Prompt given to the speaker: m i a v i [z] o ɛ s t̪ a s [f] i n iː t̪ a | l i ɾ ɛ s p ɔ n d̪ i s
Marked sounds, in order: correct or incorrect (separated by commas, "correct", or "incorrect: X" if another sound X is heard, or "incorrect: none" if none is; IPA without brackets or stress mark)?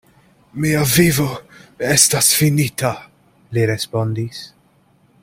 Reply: incorrect: v, correct